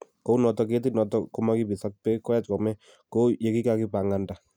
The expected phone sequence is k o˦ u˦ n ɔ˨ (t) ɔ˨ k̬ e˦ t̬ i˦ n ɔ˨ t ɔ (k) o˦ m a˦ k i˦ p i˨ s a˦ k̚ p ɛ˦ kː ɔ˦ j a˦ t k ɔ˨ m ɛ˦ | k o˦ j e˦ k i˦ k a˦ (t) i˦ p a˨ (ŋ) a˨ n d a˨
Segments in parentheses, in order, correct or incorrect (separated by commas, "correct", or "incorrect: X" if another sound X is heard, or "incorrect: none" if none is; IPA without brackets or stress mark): correct, correct, incorrect: k, correct